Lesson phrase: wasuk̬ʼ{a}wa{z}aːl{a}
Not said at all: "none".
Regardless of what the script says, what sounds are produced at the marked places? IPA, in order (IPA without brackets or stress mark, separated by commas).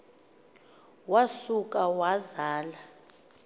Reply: a, z, a